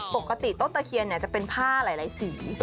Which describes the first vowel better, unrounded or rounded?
rounded